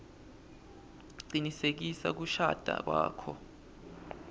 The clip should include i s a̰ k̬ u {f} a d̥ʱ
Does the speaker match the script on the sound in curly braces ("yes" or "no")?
no